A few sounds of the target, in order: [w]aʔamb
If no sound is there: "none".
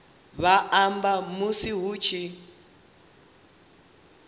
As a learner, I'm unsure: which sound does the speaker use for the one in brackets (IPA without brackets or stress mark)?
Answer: β